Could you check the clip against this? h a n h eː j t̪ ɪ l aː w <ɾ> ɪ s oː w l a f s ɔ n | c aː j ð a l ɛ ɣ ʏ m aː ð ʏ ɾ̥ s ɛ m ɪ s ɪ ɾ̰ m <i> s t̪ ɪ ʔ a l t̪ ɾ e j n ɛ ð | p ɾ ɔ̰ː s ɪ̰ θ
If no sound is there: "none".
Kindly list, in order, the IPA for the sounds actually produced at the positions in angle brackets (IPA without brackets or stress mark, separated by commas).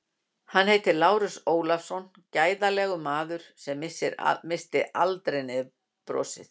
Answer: ɾ, ɪ